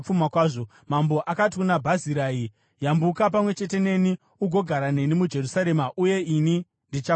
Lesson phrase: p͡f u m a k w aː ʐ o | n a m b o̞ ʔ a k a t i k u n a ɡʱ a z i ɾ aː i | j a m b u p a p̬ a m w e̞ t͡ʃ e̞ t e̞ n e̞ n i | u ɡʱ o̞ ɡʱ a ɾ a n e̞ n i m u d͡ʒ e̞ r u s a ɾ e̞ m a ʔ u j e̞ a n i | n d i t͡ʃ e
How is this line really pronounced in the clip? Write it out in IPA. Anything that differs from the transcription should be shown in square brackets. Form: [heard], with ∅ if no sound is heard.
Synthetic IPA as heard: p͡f u m a k w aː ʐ o | [m] a m b o̞ ʔ a k a t i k u n a [bʱ] a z i ɾ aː i | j a m b u [k] a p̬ a m w e̞ t͡ʃ e̞ t e̞ n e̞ n i | u ɡʱ o̞ ɡʱ a ɾ a n e̞ n i m u d͡ʒ e̞ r u s a ɾ e̞ m a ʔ u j e̞ [i] n i | n d i t͡ʃ [a]